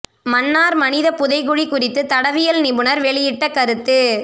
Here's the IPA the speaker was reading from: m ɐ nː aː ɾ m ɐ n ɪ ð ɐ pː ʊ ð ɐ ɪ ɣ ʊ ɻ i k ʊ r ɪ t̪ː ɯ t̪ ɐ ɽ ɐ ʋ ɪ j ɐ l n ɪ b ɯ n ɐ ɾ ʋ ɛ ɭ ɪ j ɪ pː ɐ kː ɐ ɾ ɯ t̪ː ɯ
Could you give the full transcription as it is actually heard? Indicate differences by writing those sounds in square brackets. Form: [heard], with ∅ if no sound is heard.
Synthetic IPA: m ɐ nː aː ɾ m ɐ n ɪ ð ɐ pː ʊ ð ɐ ɪ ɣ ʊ ɻ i k ʊ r ɪ t̪ː ɯ t̪ ɐ ɽ ɐ ʋ ɪ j ɐ l n ɪ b ɯ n ɐ ɾ ʋ ɛ ɭ ɪ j ɪ [ʈː] ɐ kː ɐ ɾ ɯ t̪ː ɯ